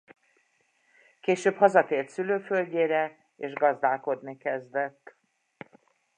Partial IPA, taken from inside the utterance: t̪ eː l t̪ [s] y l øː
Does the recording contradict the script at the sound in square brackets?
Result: no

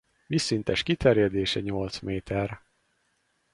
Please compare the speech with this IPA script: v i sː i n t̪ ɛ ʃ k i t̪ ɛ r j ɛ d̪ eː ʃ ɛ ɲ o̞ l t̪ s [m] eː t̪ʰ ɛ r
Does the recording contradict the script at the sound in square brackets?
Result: no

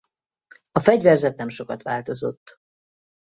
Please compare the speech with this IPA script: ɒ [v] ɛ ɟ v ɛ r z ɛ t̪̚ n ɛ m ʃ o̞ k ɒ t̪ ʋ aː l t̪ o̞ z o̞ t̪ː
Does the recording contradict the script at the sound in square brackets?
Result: yes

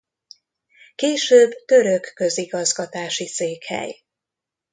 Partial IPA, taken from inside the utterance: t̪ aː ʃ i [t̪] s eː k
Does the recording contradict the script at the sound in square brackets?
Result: yes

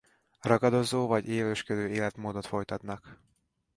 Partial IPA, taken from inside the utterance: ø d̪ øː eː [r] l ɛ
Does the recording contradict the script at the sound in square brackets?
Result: yes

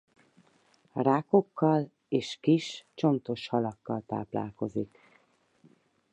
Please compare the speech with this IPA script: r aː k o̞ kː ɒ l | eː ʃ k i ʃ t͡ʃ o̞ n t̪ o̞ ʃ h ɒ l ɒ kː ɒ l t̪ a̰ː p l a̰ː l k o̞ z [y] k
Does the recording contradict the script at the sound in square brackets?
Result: yes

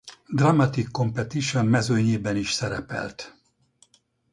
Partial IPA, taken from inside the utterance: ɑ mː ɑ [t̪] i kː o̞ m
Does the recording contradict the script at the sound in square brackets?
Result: no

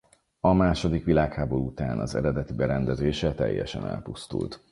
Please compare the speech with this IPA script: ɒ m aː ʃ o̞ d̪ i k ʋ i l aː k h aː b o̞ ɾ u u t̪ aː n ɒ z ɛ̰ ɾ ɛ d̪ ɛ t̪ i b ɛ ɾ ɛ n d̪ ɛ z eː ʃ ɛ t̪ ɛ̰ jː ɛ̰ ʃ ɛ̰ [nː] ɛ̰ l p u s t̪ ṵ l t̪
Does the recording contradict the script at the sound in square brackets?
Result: yes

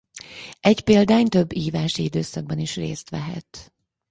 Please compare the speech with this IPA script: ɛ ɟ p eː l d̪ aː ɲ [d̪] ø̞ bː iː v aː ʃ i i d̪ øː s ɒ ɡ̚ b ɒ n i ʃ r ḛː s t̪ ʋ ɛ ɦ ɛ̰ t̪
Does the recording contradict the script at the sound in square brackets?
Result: yes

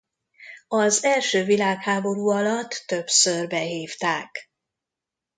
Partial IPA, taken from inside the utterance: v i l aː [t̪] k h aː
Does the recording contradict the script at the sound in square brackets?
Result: yes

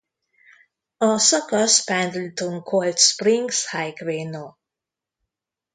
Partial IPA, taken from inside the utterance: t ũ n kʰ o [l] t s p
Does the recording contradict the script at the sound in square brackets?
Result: no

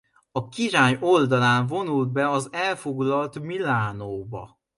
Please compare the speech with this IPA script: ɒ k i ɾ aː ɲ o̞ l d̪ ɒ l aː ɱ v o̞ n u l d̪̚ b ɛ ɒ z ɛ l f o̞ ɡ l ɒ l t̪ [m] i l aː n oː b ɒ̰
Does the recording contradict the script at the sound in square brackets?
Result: no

